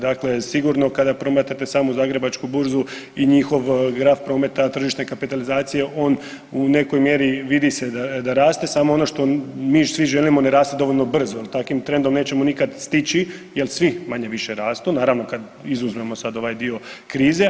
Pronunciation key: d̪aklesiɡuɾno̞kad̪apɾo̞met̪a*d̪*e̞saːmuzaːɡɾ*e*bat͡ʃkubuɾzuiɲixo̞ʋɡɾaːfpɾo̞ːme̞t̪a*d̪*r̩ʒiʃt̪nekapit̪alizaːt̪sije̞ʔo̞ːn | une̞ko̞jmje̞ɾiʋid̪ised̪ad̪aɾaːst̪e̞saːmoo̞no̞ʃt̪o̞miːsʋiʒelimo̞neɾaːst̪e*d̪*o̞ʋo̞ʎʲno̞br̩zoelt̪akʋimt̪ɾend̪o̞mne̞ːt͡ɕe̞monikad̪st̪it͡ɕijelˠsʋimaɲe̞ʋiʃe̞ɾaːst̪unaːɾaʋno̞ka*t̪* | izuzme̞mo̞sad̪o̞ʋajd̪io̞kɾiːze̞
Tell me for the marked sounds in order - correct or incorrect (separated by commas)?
incorrect, correct, incorrect, correct, incorrect